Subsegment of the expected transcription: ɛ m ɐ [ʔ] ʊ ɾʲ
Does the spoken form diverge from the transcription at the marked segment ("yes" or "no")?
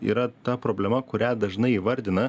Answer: yes